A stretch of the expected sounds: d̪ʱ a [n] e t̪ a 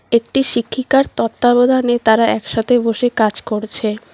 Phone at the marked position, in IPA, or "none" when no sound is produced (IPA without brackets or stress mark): n